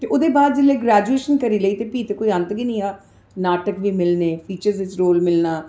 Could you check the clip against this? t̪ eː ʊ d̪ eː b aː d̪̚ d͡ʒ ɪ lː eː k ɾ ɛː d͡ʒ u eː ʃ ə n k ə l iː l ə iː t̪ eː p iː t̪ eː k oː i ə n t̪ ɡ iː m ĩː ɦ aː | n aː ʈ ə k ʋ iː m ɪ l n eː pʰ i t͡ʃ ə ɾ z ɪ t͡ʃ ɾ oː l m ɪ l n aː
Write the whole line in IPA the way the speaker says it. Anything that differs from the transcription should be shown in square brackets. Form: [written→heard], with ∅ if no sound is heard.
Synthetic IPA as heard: t̪ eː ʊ d̪ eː b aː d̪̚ d͡ʒ ɪ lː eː [k→ɡ] ɾ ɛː d͡ʒ u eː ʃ ə n k ə [l→ɾ] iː l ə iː t̪ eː p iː t̪ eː k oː i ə n t̪ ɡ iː [m→n] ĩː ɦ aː | n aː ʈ ə k ʋ iː m ɪ l n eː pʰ [i→iː] t͡ʃ ə ɾ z ɪ t͡ʃ ɾ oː l m ɪ l n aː